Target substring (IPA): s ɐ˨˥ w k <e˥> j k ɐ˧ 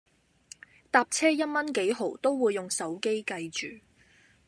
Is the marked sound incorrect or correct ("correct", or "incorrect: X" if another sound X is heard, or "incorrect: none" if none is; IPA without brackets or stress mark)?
correct